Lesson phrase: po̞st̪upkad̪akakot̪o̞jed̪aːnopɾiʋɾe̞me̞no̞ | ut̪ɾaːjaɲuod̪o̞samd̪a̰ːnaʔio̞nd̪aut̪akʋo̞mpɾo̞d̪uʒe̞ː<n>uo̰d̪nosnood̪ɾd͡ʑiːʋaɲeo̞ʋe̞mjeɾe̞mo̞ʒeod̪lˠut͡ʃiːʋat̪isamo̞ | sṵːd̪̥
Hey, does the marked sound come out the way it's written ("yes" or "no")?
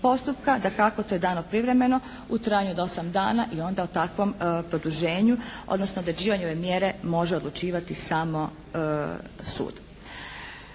no